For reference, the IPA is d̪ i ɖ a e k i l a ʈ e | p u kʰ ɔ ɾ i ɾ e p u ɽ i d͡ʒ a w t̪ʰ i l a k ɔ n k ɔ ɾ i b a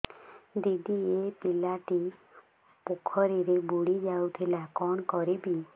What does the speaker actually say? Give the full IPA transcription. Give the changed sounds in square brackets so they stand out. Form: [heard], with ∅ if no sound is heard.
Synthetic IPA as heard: d̪ i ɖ [i] e [p] i l a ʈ [i] | p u kʰ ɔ ɾ i ɾ e [b] u ɽ i d͡ʒ a w t̪ʰ i l a k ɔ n k ɔ ɾ i b [i]